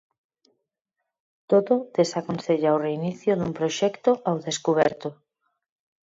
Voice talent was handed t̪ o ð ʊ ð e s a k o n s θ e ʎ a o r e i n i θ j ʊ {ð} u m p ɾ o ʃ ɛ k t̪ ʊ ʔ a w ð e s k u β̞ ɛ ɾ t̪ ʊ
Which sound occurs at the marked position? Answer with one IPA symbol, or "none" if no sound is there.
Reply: ð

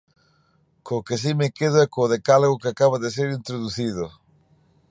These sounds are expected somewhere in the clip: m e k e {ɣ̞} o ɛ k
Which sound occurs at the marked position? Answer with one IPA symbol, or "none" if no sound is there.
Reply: ð̞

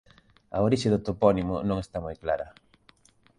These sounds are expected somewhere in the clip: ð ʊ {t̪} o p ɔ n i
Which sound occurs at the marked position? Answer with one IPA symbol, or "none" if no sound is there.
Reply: t̪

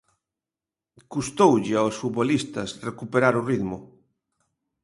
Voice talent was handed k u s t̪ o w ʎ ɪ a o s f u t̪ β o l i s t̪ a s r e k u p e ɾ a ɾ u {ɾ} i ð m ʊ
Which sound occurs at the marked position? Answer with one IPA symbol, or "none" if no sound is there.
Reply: r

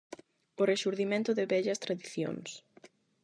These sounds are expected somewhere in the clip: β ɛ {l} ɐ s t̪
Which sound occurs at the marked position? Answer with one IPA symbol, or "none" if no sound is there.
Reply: ʎ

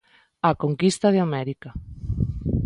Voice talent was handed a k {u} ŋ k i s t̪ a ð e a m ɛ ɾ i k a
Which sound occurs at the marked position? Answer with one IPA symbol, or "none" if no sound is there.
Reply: o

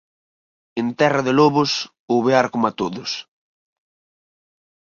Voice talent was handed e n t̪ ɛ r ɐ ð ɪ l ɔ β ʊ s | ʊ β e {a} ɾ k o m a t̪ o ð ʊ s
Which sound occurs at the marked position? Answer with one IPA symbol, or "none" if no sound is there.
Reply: a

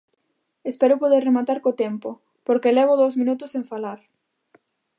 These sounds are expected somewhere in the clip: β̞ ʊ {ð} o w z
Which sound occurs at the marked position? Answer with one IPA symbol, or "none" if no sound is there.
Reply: ð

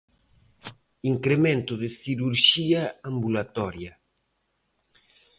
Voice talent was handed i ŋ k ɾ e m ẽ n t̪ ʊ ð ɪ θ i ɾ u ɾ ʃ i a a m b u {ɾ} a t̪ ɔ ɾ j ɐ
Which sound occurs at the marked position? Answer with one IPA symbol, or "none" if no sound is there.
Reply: l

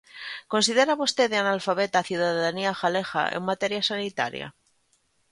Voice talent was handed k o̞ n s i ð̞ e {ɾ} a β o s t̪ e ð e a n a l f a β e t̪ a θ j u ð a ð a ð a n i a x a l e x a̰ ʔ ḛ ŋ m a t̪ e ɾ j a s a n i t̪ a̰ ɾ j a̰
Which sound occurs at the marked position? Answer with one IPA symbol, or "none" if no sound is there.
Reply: ɾ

